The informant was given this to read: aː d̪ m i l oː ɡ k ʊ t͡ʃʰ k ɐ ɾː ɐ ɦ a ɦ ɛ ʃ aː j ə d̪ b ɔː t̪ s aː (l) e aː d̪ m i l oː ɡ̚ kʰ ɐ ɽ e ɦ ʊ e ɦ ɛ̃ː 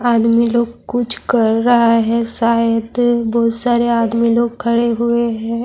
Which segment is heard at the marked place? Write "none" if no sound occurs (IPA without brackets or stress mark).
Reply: ɾ